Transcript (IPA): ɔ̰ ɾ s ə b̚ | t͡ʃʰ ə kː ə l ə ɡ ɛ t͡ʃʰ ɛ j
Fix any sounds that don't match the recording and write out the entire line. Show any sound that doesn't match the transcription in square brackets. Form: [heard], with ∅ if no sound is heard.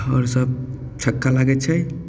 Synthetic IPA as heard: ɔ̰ ɾ s ə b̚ | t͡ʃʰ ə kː [a] l [a] ɡ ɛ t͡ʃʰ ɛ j